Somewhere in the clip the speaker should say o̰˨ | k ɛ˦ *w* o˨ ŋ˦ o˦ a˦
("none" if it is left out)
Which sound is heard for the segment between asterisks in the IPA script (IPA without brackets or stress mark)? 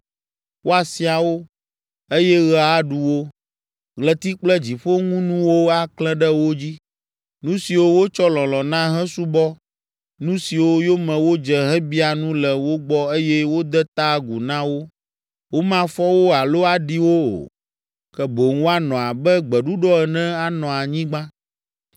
b